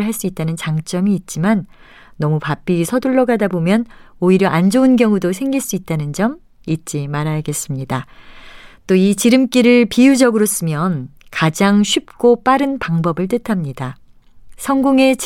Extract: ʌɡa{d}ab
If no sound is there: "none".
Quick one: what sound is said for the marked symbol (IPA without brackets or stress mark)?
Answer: d